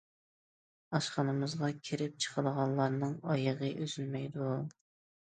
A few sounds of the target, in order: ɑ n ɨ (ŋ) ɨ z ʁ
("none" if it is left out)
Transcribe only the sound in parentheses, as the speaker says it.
m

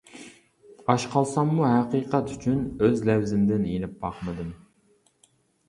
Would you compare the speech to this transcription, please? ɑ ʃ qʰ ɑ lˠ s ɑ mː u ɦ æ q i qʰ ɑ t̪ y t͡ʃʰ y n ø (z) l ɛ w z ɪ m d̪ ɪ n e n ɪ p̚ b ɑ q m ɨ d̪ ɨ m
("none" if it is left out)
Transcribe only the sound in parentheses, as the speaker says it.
z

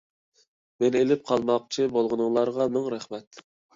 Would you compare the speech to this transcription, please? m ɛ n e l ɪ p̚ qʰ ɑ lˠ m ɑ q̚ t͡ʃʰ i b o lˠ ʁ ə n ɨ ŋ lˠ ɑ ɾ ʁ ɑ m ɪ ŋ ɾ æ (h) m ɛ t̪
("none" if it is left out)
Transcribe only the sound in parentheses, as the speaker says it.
χ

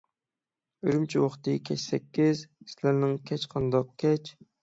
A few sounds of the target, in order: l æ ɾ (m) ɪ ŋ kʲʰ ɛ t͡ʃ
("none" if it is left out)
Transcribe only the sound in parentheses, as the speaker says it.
n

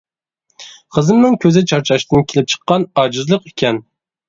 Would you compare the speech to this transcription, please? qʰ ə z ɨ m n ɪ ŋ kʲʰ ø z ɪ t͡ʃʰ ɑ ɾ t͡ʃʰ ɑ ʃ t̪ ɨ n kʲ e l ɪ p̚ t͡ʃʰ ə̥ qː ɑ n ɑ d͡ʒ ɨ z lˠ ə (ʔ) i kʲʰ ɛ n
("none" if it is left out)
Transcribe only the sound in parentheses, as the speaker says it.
q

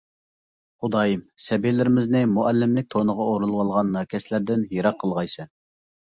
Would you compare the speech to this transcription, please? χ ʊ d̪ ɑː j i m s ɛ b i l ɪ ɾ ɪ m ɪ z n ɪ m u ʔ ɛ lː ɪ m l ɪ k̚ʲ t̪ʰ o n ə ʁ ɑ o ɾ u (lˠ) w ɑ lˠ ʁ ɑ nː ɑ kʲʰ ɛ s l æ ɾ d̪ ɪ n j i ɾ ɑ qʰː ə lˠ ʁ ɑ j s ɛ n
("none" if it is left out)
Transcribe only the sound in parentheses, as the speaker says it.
lˠ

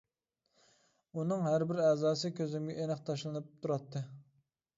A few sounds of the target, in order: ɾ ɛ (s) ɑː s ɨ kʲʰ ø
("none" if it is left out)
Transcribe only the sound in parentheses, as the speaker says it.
z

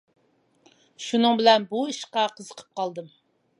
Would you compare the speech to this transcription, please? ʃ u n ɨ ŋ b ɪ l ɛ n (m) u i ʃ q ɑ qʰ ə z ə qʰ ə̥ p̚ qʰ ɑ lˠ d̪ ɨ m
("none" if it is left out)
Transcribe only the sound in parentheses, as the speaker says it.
b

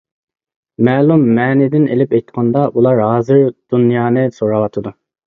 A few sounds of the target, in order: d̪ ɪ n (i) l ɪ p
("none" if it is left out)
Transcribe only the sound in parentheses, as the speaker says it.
e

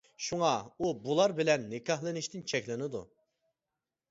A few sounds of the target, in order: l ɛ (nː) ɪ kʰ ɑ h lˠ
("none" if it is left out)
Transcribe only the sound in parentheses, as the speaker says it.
nː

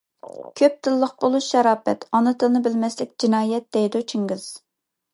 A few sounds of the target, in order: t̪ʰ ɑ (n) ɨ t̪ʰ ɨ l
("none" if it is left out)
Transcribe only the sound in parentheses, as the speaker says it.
n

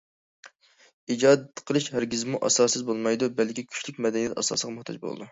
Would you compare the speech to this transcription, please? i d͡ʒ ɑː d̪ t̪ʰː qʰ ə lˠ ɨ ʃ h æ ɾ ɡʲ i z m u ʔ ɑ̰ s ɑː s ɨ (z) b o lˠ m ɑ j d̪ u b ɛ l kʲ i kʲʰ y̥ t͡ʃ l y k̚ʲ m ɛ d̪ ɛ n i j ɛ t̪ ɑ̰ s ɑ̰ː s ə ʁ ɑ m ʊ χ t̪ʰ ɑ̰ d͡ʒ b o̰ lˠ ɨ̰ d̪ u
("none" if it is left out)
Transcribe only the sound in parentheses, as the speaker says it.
z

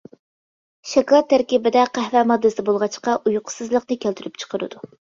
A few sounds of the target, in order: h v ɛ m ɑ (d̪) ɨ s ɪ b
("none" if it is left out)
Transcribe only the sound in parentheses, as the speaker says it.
d̪ː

